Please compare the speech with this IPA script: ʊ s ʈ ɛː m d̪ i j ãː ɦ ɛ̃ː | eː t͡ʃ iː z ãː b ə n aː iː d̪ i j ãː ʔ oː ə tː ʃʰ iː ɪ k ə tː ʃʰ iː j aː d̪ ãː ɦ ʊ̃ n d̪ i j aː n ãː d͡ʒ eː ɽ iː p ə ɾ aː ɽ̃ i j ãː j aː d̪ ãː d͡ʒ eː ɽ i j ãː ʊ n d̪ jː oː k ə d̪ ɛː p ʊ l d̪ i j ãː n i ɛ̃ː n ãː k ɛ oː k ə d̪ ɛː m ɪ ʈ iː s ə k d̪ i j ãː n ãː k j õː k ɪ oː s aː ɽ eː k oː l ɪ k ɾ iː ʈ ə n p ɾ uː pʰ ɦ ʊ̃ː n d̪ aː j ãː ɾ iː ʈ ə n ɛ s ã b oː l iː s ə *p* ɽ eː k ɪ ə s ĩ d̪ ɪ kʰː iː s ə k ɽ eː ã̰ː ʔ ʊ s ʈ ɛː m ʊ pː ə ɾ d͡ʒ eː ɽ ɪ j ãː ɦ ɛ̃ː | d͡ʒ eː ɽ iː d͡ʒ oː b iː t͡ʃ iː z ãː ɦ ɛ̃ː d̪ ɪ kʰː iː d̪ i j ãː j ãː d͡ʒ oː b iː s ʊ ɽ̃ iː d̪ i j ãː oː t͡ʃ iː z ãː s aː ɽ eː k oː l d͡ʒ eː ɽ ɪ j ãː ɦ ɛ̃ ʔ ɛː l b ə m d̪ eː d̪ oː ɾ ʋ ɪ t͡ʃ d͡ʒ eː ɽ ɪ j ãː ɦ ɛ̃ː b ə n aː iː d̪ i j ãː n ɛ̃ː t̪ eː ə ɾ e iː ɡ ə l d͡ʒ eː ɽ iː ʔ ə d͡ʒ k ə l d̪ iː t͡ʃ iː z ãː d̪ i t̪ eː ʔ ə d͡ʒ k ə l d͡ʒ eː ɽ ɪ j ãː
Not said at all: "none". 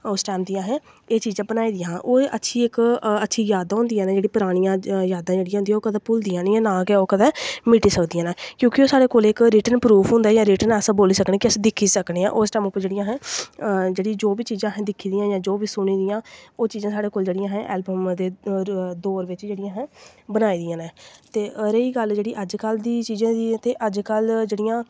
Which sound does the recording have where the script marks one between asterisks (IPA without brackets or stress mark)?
k